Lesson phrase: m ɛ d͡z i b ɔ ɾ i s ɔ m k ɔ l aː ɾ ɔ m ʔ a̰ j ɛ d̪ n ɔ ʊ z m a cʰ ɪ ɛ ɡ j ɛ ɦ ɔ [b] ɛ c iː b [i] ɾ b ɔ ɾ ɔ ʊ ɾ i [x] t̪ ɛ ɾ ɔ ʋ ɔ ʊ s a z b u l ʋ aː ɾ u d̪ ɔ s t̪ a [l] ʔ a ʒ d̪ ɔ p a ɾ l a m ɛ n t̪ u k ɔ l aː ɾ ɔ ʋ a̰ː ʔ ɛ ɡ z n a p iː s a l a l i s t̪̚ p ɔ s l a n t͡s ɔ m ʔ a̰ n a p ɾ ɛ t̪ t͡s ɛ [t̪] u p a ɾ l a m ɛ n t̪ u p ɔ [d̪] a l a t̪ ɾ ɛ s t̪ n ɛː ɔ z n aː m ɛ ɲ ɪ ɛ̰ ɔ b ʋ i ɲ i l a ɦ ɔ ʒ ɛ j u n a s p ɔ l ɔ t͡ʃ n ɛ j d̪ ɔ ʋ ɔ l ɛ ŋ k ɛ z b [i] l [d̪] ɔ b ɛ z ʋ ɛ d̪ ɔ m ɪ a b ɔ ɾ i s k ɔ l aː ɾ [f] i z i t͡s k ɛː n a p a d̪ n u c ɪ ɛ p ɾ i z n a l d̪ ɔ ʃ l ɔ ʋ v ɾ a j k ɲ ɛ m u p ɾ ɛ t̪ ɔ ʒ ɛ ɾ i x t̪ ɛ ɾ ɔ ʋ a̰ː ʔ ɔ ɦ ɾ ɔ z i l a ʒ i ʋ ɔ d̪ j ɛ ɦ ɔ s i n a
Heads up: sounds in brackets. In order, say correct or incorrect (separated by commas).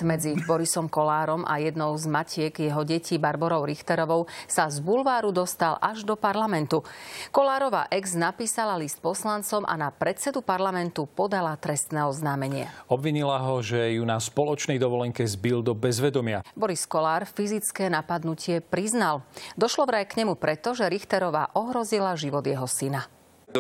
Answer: incorrect, incorrect, correct, correct, incorrect, correct, correct, correct, correct